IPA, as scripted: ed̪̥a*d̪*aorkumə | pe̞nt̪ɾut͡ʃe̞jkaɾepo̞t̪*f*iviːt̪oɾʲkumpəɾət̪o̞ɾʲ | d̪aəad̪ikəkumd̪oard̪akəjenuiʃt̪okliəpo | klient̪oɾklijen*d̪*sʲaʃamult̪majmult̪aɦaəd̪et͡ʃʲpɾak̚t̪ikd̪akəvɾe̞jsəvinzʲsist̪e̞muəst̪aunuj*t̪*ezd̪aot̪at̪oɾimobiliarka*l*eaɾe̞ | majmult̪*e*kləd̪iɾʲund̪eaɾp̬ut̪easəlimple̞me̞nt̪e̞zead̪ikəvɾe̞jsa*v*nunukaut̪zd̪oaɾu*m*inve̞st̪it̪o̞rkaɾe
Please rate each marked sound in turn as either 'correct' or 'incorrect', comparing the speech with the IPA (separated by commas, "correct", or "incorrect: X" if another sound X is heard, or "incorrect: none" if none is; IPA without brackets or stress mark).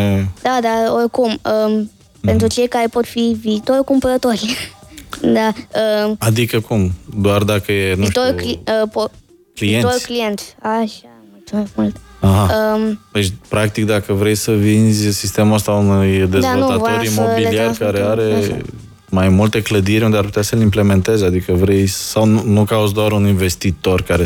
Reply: correct, correct, incorrect: t̪, incorrect: d̪, incorrect: ɾ, correct, incorrect: w, incorrect: n